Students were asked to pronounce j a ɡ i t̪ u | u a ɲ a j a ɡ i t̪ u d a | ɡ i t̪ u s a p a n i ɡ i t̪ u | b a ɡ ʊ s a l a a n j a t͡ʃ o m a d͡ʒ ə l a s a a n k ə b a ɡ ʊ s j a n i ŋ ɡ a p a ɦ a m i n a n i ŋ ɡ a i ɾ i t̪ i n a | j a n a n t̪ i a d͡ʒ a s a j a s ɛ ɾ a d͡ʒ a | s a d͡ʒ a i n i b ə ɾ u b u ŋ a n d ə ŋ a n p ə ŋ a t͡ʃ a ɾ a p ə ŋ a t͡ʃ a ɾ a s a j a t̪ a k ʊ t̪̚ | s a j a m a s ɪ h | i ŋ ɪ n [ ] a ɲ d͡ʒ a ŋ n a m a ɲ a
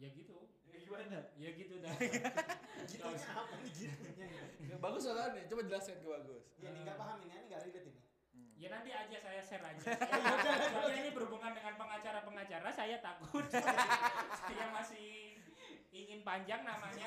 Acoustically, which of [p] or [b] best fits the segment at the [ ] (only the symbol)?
p